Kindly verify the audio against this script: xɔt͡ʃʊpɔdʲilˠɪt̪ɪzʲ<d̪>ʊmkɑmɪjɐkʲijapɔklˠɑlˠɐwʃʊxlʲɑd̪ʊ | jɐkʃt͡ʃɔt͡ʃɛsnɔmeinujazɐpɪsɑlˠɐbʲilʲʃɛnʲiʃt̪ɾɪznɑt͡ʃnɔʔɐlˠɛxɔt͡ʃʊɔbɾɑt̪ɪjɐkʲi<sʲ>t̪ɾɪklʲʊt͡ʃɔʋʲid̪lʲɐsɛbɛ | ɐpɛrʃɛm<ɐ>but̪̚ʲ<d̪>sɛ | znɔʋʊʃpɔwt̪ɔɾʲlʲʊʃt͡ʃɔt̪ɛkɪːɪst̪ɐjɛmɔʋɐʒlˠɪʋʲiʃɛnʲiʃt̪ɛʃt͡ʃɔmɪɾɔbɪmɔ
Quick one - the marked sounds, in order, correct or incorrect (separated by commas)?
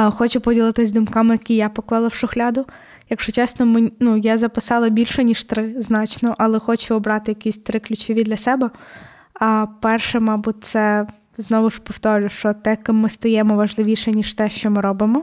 correct, correct, incorrect, incorrect